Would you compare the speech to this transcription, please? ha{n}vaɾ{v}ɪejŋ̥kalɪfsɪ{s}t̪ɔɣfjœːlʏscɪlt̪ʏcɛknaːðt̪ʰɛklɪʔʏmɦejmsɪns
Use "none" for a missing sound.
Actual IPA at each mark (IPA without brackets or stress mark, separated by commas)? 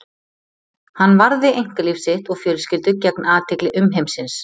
nː, ð, h